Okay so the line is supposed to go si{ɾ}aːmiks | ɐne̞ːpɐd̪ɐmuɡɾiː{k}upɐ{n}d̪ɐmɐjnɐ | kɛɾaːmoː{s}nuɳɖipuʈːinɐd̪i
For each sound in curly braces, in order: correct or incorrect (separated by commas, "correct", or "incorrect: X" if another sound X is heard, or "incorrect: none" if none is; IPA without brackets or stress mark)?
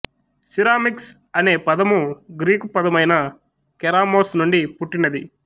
correct, correct, incorrect: none, correct